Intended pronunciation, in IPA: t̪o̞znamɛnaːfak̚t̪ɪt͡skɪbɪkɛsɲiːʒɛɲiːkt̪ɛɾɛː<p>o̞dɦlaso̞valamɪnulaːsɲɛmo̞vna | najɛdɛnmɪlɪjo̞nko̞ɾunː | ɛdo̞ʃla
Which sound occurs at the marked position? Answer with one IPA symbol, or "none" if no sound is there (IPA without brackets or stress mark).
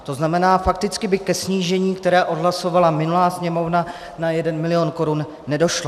ʔ